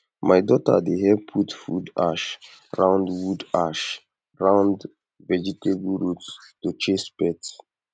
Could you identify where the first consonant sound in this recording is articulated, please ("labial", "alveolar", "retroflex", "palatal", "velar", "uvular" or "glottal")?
labial